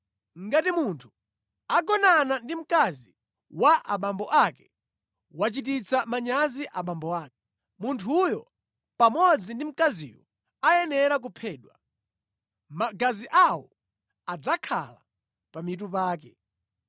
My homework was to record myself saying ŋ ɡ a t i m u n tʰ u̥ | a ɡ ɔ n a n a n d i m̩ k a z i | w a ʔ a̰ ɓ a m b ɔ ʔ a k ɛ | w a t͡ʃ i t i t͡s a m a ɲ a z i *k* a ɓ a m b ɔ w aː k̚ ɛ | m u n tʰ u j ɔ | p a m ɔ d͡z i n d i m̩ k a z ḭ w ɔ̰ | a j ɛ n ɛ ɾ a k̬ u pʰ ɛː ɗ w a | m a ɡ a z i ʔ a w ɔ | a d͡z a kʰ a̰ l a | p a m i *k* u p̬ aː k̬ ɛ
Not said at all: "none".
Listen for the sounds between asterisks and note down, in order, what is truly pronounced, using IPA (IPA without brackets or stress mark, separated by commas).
ʔ, t